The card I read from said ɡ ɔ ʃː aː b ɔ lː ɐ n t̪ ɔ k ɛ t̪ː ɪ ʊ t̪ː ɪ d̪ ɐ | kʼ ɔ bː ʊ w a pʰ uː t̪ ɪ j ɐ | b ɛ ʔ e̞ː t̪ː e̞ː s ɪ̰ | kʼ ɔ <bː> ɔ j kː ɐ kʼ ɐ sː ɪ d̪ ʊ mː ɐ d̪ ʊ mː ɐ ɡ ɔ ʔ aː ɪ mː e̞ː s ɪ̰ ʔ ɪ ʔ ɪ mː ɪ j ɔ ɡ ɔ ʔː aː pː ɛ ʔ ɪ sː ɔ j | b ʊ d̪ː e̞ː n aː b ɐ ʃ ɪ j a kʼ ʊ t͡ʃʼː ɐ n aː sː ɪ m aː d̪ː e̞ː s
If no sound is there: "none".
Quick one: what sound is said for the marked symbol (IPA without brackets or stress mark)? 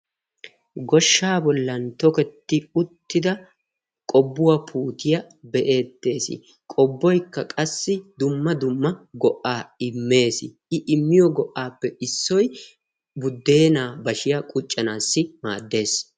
bː